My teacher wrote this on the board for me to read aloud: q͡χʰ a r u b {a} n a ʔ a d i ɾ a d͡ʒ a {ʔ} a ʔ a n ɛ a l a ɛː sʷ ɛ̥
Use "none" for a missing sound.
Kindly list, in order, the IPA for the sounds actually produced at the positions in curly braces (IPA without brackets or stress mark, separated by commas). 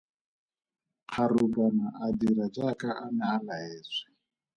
a, k